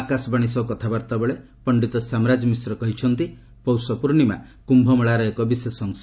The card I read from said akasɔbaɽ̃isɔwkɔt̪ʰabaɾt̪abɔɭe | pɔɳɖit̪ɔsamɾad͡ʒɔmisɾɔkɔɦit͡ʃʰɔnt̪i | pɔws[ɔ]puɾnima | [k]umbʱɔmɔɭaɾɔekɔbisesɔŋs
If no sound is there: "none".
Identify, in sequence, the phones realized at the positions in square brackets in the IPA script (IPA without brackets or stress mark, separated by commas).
ɔ, k